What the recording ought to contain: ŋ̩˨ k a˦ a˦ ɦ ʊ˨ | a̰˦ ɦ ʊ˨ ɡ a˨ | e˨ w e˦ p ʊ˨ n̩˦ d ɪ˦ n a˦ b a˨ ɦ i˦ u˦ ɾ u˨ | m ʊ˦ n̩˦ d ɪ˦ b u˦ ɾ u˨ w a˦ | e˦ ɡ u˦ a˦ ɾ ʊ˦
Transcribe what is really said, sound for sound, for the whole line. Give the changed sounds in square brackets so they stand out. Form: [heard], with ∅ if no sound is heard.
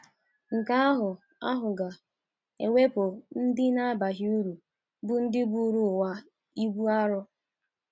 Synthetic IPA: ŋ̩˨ k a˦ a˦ ɦ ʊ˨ | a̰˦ ɦ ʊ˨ ɡ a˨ | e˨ w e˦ p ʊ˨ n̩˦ d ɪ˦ n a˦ b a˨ ɦ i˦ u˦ ɾ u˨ | [b] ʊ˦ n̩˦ d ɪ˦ b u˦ ɾ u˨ w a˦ | [i˦] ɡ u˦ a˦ ɾ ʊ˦